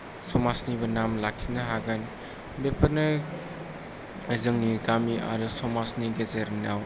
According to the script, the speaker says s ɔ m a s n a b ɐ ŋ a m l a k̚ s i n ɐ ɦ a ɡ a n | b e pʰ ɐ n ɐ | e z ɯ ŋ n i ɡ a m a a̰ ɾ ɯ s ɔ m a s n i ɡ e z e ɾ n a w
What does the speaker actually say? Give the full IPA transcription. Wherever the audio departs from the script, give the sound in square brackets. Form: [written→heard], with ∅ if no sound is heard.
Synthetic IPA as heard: s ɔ m a s n [a→i] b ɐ [ŋ→n] a m l a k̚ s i n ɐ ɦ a ɡ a n | b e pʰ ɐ n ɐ | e z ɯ ŋ n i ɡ a m [a→i] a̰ ɾ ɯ s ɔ m a s n i ɡ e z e ɾ n a w